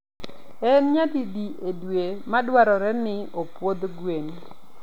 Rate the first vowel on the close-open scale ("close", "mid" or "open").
mid